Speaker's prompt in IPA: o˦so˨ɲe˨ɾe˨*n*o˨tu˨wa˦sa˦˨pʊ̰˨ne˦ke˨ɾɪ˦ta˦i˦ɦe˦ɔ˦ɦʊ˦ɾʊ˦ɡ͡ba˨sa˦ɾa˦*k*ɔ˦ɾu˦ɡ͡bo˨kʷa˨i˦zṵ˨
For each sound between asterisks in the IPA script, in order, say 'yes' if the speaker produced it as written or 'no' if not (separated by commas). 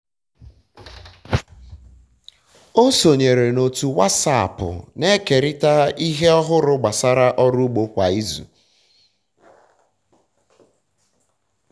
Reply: yes, no